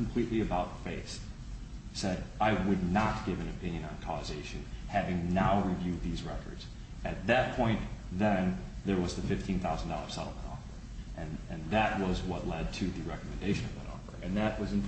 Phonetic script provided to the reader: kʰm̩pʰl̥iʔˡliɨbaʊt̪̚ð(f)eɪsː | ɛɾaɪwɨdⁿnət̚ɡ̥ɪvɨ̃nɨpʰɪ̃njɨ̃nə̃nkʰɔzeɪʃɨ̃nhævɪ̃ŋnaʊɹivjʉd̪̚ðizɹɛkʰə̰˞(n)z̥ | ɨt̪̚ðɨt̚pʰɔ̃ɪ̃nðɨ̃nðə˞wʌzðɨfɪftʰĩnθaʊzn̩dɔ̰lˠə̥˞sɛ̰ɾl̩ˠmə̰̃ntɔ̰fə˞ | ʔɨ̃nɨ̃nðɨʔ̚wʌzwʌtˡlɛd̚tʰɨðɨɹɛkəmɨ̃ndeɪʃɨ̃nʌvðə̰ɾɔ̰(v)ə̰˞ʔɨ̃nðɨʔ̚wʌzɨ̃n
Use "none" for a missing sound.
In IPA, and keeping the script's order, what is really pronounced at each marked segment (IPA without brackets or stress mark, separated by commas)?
f, d, f